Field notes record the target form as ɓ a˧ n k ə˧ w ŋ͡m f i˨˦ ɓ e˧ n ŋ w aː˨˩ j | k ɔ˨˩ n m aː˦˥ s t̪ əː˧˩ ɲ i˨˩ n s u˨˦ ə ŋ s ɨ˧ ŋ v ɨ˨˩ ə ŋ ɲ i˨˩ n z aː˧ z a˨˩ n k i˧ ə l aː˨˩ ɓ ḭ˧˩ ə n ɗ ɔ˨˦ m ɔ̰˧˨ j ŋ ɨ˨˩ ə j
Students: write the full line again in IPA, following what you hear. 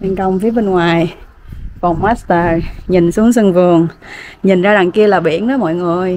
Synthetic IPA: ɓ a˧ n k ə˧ w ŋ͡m f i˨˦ ɓ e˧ n ŋ w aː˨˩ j | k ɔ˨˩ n m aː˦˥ s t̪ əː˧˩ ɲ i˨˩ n s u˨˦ ə ŋ s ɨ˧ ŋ v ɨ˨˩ ə ŋ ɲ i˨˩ n z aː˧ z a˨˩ ŋ k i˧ ə l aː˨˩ ɓ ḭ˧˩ ə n ɗ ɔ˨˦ m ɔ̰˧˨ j ŋ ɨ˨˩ ə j

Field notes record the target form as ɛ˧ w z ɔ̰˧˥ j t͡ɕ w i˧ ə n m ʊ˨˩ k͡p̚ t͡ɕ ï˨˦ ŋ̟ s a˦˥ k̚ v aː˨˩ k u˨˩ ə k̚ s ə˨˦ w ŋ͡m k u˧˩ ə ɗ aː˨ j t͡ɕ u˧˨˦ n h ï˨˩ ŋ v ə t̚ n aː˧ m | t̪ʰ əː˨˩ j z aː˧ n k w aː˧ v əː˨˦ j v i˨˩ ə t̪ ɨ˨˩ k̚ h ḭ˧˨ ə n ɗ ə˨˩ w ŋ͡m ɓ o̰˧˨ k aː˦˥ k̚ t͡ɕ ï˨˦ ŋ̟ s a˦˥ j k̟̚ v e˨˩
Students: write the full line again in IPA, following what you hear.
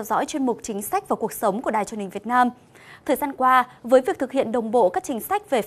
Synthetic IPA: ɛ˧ w z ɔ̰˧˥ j t͡ɕ w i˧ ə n m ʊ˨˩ k͡p̚ t͡ɕ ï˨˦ ŋ̟ s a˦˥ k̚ v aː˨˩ k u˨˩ ə k̚ s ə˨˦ w ŋ͡m k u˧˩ ə ɗ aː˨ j t͡ɕ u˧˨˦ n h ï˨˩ ŋ v ə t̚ n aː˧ m | t̪ʰ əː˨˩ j z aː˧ n k w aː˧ v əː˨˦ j v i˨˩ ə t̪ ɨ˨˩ k̚ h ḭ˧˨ ə n ɗ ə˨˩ w ŋ͡m ɓ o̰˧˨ k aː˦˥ k̚ t͡ɕ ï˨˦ ŋ̟ s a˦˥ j k̟̚ v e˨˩

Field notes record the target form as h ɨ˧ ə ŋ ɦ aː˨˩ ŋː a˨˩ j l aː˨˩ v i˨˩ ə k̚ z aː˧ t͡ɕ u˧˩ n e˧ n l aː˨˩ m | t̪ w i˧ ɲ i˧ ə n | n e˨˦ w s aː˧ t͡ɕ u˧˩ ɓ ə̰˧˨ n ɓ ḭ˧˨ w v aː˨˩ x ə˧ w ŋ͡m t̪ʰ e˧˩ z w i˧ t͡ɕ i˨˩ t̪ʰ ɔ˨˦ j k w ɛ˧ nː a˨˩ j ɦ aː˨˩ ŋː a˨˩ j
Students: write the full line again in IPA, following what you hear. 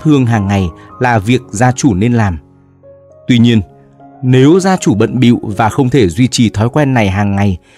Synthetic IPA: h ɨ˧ ə ŋ ɦ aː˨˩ ŋː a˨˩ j l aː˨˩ v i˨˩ ə k̚ z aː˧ t͡ɕ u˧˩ n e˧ n l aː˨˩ m | t̪ w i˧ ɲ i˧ ə n | n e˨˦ w z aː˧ t͡ɕ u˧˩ ɓ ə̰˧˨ n ɓ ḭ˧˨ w v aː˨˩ x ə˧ w ŋ͡m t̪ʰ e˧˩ z w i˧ t͡ɕ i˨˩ t̪ʰ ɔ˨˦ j k w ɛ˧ nː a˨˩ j ɦ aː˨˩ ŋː a˨˩ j

